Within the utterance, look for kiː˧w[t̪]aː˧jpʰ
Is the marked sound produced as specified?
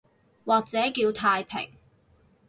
no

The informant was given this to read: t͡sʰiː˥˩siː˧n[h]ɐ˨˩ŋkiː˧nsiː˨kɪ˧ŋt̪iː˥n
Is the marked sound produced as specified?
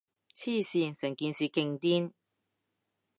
no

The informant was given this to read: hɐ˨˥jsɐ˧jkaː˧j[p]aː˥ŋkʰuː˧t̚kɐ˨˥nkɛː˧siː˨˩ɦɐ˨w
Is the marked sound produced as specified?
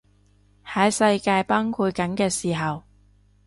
yes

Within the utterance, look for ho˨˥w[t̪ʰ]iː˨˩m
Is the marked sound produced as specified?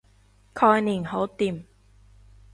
no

